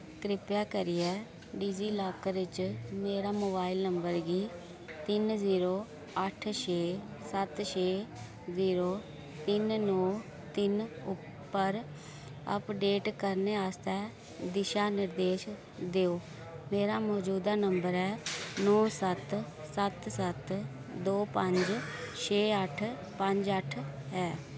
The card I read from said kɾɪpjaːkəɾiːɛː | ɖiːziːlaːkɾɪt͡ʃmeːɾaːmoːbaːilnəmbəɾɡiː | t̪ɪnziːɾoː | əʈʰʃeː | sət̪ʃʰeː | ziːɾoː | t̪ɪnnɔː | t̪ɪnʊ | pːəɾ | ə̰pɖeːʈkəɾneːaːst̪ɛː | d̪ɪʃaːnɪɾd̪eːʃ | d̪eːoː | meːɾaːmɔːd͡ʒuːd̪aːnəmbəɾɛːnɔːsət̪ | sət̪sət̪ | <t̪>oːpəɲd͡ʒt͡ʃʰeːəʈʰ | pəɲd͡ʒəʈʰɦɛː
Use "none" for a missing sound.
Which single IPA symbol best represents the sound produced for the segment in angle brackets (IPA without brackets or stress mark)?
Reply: d̪